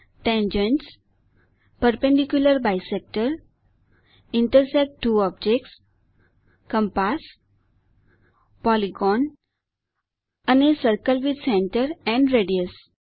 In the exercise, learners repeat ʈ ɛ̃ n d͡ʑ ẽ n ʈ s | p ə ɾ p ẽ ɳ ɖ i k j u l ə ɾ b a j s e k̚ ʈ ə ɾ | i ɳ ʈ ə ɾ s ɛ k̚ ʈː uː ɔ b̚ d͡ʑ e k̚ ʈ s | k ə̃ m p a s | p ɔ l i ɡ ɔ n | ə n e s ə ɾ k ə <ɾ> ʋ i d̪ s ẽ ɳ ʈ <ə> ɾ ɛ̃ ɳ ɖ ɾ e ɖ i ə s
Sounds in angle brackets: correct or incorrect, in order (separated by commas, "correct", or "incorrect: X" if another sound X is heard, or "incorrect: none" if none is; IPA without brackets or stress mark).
incorrect: l, correct